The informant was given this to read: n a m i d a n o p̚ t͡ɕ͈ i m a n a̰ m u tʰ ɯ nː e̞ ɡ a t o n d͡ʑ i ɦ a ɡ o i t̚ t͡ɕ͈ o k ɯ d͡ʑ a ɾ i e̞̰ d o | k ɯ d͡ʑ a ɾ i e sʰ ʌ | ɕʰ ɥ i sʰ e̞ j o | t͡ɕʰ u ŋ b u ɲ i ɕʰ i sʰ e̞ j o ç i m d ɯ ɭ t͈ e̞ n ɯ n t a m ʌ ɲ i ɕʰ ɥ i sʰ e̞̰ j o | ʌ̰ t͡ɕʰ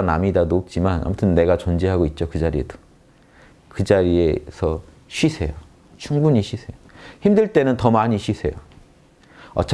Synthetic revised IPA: n a m i d a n o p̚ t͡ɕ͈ i m a n a̰ m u tʰ ɯ nː e̞ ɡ a t͡ɕ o n d͡ʑ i ɦ a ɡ o i t̚ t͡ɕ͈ o k ɯ d͡ʑ a ɾ i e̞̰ d o | k ɯ d͡ʑ a ɾ i e sʰ ʌ | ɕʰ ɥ i sʰ e̞ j o | t͡ɕʰ u ŋ b u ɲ i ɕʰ i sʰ e̞ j o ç i m d ɯ ɭ t͈ e̞ n ɯ n t ʌ m a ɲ i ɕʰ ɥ i sʰ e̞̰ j o | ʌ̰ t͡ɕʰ